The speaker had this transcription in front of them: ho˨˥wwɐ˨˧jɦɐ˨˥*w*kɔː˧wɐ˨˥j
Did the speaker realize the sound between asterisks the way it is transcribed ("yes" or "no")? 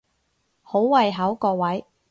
yes